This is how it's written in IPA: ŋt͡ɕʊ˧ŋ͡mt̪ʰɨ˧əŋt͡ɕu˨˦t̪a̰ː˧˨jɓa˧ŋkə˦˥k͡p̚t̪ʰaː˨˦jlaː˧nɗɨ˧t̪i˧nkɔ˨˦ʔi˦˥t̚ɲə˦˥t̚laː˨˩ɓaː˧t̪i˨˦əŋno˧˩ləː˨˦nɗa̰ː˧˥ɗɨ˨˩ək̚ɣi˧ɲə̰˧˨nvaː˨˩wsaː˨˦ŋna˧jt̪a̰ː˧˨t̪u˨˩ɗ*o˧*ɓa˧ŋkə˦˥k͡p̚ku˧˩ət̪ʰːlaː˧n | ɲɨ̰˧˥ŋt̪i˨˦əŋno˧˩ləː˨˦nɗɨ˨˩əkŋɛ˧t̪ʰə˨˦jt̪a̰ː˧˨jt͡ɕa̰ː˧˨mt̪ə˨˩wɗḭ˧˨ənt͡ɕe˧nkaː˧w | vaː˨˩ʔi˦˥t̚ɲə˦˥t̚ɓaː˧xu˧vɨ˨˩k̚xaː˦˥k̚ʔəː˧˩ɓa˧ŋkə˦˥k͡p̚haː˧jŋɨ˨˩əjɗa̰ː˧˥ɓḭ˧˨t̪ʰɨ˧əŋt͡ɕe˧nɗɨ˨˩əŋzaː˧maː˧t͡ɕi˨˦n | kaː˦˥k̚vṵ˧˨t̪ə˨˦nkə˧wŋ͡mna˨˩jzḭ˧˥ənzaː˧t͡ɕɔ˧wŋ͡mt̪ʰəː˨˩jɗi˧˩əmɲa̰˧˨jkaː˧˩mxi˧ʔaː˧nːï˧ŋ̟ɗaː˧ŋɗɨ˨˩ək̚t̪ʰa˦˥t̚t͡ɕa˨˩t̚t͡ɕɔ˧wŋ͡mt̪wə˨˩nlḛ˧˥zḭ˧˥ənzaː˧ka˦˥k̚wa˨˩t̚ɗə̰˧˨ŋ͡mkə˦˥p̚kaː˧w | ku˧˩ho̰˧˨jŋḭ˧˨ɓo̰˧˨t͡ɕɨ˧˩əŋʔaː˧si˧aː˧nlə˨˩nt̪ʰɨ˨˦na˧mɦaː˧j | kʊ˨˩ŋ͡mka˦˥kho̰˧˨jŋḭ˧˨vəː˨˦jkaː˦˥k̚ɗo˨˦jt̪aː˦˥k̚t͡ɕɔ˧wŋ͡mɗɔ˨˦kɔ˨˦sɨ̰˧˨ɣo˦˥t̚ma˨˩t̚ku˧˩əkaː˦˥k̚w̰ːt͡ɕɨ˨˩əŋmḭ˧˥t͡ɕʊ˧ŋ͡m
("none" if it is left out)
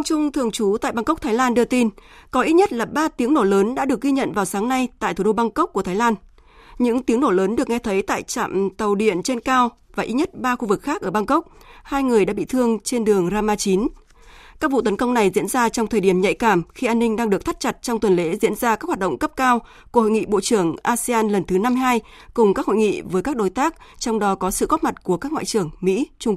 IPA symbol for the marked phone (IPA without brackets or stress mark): o˧